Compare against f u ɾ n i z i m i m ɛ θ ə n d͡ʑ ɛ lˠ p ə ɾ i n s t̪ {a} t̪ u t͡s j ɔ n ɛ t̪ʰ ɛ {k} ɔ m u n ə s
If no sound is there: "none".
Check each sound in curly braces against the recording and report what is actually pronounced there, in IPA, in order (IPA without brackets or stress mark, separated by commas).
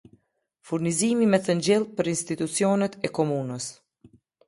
i, k